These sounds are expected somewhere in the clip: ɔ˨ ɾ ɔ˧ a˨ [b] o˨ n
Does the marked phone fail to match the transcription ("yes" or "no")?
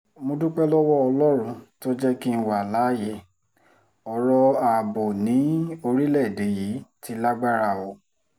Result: no